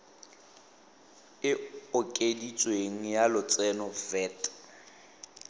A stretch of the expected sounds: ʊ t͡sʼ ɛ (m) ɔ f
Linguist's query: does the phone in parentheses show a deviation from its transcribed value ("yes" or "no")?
yes